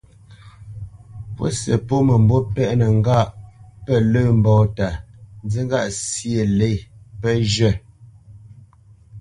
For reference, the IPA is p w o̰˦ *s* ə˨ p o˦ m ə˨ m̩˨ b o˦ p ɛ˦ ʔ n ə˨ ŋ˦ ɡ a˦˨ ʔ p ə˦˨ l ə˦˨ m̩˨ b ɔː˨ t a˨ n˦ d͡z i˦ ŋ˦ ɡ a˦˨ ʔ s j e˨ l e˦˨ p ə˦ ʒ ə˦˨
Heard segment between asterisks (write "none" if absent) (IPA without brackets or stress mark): s